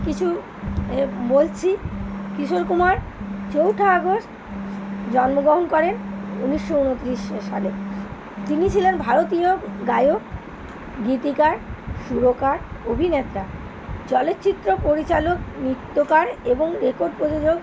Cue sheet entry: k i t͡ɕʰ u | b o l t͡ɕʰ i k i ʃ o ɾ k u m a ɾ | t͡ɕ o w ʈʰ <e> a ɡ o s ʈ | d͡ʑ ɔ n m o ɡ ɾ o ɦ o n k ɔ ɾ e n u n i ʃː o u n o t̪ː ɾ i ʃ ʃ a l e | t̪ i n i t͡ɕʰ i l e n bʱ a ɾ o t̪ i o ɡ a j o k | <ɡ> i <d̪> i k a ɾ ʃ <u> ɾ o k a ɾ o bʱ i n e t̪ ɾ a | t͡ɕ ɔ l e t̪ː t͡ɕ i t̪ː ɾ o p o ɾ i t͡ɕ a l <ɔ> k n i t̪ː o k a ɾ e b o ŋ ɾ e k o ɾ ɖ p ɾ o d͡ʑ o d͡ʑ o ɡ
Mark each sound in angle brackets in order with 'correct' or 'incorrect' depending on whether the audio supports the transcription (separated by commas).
incorrect, correct, incorrect, correct, incorrect